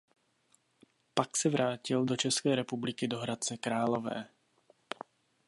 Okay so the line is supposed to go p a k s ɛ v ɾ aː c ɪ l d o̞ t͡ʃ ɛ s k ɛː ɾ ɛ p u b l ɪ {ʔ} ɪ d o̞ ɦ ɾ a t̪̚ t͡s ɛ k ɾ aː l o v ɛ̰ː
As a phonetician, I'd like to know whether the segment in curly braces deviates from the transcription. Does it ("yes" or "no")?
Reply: yes